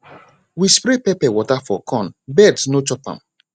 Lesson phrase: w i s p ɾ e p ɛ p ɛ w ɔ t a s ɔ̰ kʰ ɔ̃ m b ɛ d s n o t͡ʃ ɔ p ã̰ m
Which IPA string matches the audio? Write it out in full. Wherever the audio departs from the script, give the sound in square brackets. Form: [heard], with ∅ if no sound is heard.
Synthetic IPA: w i s p ɾ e p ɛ p ɛ w ɔ t a [f] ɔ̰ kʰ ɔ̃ [n] b ɛ d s n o t͡ʃ ɔ p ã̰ m